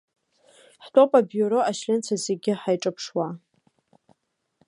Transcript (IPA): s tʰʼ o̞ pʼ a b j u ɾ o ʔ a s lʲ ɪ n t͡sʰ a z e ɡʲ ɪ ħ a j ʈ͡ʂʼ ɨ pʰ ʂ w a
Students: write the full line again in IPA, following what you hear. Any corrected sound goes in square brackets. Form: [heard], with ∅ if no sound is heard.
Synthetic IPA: [ħ] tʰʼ o̞ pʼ a b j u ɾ o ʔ a [ʃ] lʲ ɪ n t͡sʰ a z e ɡʲ ɪ ħ a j ʈ͡ʂʼ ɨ pʰ ʂ w a